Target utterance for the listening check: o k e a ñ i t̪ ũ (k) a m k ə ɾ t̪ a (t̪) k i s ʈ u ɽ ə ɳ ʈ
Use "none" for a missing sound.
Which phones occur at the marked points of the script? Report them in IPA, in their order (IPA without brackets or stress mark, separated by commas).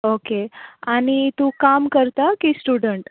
k, none